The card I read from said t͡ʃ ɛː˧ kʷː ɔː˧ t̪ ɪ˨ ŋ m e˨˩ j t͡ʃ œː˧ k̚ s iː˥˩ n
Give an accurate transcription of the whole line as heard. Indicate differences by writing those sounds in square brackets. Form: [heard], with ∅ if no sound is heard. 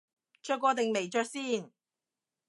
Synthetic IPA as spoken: t͡ʃ [œː˧] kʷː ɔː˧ t̪ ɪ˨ ŋ m e˨˩ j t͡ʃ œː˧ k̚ s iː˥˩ n